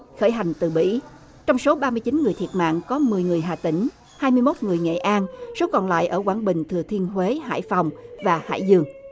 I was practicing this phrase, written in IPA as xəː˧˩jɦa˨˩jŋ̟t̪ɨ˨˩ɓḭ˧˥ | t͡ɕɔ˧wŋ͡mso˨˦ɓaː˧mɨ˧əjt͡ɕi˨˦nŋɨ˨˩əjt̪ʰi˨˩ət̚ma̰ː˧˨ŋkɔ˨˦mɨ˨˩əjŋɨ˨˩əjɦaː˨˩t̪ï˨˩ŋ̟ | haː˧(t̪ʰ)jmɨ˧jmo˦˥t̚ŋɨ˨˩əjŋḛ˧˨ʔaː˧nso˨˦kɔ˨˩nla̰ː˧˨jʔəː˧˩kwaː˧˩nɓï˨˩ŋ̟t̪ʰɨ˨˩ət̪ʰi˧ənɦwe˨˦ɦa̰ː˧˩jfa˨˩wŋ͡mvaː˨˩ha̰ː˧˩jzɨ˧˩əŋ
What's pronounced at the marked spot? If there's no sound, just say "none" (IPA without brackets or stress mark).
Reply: none